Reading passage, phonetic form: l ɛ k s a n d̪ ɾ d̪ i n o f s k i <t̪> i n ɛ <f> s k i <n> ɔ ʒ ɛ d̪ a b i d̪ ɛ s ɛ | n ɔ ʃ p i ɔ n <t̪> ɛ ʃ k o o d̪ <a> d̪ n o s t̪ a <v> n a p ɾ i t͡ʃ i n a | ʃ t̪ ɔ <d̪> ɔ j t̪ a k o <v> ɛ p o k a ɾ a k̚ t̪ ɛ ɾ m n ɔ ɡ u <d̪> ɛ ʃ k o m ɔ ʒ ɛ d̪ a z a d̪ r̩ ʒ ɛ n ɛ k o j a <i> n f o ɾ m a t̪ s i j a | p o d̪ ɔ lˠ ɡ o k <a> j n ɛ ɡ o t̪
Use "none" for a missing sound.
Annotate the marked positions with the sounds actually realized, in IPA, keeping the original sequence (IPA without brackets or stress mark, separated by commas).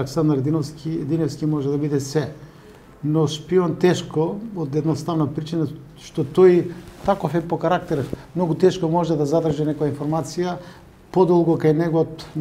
d̪, f, m, t̪, ɛ, v, t̪, f, t̪, i, a